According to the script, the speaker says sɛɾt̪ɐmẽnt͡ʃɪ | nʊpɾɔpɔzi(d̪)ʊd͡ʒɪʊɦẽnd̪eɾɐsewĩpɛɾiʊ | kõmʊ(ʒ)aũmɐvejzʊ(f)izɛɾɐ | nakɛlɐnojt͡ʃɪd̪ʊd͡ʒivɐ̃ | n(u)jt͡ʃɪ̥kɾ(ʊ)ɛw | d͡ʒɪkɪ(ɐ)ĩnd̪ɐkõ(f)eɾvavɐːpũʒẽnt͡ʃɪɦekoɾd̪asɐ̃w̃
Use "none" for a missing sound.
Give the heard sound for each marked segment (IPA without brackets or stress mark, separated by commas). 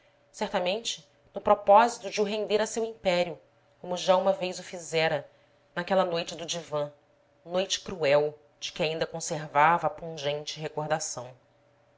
t̪, ʒ, f, o, u, a, s